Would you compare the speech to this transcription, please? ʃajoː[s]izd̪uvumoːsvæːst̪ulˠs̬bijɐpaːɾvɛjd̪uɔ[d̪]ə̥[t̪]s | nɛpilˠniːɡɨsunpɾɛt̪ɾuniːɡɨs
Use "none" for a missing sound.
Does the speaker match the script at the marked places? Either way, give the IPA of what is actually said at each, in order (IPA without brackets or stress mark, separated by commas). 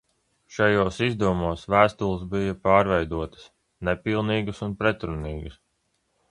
s, t̪, none